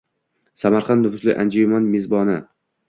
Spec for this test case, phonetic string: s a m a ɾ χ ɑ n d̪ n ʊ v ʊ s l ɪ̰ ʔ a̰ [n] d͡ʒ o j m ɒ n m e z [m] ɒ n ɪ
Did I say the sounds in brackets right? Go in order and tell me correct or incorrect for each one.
correct, incorrect

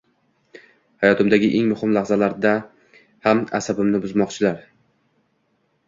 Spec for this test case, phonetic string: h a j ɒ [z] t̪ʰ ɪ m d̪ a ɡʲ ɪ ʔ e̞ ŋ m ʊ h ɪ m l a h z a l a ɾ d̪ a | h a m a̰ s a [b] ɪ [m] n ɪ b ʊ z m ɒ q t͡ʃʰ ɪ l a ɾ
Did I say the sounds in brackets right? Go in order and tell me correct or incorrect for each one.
incorrect, correct, correct

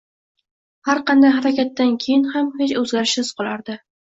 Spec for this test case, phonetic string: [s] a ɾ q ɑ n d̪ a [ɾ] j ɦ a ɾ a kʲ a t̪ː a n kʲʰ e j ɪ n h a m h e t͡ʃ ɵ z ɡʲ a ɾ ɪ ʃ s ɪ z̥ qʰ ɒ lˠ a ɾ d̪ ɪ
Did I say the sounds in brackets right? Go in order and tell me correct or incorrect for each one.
incorrect, incorrect

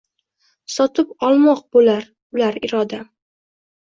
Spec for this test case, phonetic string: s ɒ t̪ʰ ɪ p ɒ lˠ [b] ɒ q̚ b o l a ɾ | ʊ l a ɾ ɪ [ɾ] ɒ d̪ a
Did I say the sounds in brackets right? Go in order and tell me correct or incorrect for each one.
incorrect, correct

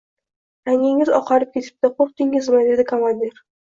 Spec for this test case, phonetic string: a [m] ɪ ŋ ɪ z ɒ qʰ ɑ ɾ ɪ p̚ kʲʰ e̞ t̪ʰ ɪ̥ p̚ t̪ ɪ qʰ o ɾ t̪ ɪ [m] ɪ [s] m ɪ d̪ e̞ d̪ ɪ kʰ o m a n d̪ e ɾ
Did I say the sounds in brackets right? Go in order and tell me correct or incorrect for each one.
incorrect, incorrect, incorrect

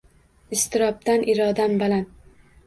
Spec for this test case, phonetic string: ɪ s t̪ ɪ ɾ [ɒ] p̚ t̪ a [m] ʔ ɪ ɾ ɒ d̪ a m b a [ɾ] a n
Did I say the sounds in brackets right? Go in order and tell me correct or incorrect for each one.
correct, incorrect, incorrect

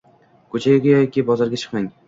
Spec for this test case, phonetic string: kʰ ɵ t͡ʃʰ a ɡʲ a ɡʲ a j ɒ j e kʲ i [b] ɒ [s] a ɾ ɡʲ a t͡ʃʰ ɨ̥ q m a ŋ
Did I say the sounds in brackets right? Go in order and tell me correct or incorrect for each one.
correct, incorrect

